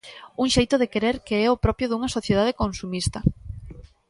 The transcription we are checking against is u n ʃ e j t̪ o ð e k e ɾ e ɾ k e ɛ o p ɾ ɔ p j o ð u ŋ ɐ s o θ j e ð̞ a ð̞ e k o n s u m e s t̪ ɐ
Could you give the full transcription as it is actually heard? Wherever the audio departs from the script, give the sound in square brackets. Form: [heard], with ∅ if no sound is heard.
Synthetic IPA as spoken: u [ŋ] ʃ e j t̪ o ð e k e ɾ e ɾ k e ɛ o p ɾ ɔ p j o ð u ŋ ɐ s o θ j e ð̞ a ð̞ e k o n s u m [i] s t̪ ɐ